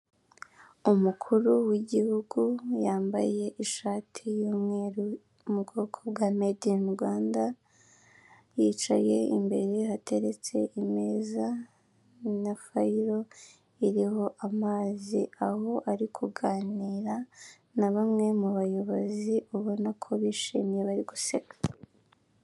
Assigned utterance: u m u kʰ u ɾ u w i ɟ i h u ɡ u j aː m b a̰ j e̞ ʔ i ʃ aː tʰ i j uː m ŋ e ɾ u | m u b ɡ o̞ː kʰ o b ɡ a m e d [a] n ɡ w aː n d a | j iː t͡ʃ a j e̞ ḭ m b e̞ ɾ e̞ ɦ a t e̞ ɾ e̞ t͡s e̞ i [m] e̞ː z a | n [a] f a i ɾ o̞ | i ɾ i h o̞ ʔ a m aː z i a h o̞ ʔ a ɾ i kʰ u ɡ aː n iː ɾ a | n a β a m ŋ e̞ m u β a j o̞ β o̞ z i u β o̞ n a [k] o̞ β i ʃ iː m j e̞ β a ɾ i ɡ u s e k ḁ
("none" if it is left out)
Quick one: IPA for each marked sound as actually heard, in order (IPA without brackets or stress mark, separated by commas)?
i, m, a, kʰ